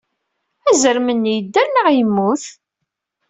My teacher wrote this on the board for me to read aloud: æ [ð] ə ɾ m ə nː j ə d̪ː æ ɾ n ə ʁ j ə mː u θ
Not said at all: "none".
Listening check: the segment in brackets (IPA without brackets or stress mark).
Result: z